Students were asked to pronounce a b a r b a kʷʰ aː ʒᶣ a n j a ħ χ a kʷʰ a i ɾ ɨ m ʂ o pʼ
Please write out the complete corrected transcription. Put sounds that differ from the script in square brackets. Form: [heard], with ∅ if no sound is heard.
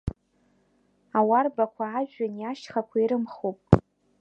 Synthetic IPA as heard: a [w] a r b a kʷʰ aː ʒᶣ a n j a [ʃ] χ a kʷʰ a i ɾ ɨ m [χ] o pʼ